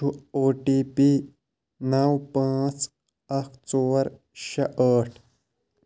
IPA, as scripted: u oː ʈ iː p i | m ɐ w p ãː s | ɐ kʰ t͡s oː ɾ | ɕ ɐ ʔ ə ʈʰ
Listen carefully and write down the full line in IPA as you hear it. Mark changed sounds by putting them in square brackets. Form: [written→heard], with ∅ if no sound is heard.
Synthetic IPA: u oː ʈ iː p i | [m→n] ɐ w p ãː [s→t͡s] | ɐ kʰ t͡s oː ɾ | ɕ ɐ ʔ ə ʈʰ